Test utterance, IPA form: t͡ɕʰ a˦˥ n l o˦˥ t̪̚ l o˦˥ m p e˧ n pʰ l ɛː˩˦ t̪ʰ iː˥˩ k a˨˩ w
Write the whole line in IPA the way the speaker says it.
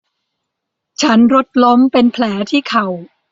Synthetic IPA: t͡ɕʰ a˦˥ n ɾ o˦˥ t̪̚ l o˦˥ m p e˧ n pʰ l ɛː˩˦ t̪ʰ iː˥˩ kʰ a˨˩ w